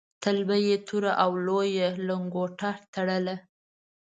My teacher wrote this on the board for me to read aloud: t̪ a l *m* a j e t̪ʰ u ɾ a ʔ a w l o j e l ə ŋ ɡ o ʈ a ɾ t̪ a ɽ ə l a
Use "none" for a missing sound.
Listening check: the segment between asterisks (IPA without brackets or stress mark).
b